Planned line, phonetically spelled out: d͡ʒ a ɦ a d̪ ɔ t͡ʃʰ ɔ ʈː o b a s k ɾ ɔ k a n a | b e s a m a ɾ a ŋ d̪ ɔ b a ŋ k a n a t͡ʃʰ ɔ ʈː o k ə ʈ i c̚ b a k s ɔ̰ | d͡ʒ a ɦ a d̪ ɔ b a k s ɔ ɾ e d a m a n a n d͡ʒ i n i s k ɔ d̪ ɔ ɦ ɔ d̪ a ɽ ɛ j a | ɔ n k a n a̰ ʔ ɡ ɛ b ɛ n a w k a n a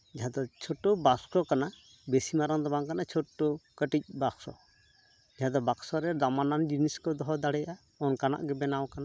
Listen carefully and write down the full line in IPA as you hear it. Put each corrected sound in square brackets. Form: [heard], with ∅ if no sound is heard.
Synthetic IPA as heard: d͡ʒ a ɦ a d̪ ɔ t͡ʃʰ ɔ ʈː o b a s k ɾ ɔ k a n a | b e s [i] m a ɾ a ŋ d̪ ɔ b a ŋ k a n a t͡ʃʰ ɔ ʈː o k ə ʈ i c̚ b a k s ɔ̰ | d͡ʒ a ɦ a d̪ ɔ b a k s ɔ ɾ [ɛ] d a m a n a n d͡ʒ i n i s k ɔ d̪ ɔ ɦ ɔ d̪ a ɽ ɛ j a | ɔ n k a n a̰ ʔ ɡ ɛ b ɛ n a w k a n a